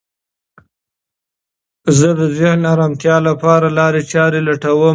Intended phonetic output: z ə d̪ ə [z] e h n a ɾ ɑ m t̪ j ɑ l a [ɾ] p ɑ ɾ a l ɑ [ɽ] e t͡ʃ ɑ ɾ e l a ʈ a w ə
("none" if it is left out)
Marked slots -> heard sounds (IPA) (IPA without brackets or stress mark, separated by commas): z, none, ɾ